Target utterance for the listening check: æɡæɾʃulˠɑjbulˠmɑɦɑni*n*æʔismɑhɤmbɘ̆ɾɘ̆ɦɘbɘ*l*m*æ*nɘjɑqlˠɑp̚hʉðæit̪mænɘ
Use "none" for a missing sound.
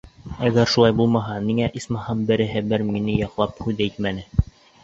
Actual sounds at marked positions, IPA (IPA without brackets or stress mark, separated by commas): ŋ, ɾ, i